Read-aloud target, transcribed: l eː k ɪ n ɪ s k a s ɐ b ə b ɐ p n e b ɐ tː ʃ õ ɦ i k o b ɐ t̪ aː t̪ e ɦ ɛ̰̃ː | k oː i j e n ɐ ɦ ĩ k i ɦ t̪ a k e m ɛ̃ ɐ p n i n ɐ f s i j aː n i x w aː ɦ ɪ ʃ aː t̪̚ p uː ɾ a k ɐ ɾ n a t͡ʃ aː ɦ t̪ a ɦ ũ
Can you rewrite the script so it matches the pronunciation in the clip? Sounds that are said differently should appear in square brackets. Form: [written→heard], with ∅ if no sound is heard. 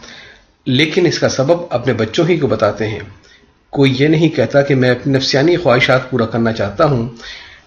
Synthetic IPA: l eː k ɪ n ɪ s k a s ɐ b ə b ɐ p n e b ɐ tː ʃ õ ɦ i k o b ɐ t̪ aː t̪ e ɦ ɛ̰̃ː | k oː i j e n ɐ ɦ ĩ k [i→ɛ] ɦ t̪ a k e m ɛ̃ ɐ p n i n ɐ f s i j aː n i x w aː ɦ ɪ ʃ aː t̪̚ p uː ɾ a k ɐ ɾ n a t͡ʃ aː ɦ t̪ a ɦ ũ